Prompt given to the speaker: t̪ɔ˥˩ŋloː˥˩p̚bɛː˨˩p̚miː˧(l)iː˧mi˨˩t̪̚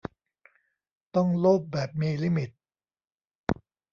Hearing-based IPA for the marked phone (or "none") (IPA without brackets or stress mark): l